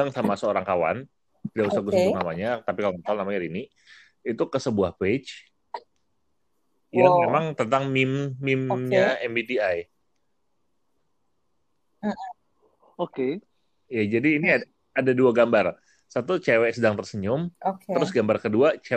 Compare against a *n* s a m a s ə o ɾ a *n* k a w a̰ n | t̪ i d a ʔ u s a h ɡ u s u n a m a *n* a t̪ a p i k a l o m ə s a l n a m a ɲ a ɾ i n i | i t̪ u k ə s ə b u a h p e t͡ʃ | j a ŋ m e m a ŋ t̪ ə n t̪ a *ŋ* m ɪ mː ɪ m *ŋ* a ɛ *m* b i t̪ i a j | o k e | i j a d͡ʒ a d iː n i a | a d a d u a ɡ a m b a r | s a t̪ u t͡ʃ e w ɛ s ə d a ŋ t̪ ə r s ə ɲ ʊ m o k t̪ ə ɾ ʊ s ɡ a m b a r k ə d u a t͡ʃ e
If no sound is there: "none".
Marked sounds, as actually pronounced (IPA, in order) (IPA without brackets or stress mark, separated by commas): ŋ, ŋ, ɲ, ŋ, ɲ, m